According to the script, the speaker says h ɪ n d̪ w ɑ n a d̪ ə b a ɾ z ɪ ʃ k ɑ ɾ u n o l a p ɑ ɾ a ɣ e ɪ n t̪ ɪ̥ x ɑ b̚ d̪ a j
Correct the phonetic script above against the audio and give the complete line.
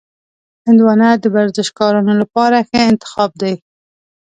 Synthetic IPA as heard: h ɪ n d̪ w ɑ n a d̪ ə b a ɾ z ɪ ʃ k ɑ ɾ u n o l a p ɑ ɾ a x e ɪ n t̪ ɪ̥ x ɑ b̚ d̪ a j